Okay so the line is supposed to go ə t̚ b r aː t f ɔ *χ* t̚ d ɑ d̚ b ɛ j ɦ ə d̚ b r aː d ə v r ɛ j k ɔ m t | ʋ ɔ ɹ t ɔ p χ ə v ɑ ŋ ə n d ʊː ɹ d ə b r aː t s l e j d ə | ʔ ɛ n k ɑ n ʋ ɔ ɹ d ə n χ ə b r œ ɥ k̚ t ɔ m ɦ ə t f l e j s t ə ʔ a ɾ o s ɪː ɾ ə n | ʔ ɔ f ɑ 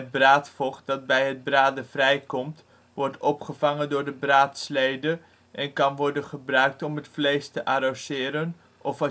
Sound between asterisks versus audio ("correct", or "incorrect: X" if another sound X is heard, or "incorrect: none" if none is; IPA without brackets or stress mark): correct